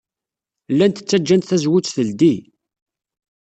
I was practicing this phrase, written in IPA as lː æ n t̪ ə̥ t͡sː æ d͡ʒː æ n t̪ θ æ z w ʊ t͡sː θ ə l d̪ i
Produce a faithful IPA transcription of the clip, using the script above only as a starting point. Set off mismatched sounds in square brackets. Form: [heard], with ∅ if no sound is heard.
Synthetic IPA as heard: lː æ n t̪ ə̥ t͡sː æ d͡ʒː æ n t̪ θ æ z w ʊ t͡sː θ ə l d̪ i

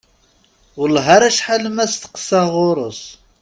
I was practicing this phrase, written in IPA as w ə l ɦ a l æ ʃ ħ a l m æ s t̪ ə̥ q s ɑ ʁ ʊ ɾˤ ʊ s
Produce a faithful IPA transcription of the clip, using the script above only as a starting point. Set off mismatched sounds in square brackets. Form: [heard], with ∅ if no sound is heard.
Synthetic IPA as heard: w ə l ɦ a [ɾ] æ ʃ ħ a l m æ s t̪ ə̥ q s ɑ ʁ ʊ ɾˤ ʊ s

